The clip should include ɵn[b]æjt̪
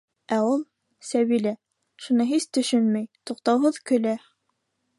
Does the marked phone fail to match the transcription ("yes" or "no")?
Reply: yes